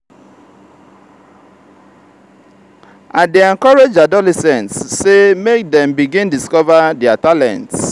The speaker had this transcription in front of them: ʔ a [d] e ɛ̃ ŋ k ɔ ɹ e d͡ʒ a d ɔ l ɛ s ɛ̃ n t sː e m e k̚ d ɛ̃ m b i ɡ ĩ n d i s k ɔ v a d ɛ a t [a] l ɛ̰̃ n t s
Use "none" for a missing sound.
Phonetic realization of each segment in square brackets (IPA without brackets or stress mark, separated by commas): d, a